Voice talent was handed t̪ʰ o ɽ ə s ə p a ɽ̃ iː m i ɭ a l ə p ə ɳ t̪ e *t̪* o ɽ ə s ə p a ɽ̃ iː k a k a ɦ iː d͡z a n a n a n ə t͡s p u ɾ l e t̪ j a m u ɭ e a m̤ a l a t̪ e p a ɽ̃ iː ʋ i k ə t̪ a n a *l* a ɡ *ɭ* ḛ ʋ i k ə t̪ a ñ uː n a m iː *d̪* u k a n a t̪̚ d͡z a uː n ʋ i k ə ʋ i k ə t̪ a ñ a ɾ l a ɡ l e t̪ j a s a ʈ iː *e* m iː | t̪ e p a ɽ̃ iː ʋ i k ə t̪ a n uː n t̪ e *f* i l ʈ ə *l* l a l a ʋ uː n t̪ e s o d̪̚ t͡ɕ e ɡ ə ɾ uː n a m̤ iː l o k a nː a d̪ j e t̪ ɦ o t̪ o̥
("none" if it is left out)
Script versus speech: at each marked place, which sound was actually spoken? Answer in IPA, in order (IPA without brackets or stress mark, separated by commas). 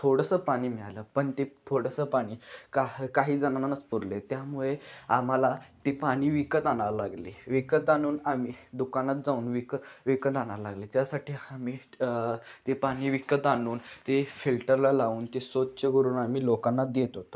t̪ʰ, l, l, d̪, a, f, ɾ